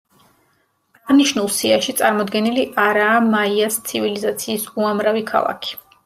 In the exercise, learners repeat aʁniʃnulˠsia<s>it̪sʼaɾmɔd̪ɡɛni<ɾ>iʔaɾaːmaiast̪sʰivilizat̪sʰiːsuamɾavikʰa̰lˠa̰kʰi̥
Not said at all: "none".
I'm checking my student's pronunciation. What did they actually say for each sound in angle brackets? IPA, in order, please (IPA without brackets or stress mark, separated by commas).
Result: ʃ, l